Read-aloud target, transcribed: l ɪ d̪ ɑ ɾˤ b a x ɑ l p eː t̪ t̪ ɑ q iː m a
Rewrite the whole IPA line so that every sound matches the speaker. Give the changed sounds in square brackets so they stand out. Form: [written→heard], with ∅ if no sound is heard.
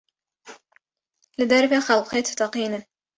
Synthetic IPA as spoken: l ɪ d̪ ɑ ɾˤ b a x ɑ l [p→q] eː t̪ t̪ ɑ q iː [m→n] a